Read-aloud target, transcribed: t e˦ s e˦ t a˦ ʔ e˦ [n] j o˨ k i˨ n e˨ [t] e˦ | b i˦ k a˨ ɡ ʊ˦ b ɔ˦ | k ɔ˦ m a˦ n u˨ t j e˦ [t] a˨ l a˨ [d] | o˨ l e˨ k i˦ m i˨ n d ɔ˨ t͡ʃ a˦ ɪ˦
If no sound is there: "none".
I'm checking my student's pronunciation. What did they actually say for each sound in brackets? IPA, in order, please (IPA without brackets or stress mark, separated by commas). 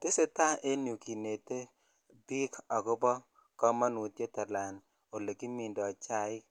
n, t, t, n